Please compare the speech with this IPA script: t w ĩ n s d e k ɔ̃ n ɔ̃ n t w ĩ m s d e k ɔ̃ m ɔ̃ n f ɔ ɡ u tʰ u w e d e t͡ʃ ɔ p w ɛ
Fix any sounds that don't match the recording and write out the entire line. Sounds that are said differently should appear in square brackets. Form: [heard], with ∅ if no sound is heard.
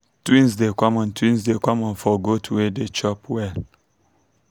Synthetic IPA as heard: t w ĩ n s d e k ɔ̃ [m] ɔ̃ n t w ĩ [n] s d e k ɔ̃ m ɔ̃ n f ɔ ɡ [o] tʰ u w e d e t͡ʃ ɔ p w ɛ